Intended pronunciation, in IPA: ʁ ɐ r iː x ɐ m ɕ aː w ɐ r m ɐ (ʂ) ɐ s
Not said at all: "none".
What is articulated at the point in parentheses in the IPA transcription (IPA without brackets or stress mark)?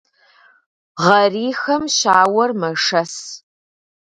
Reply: ʂ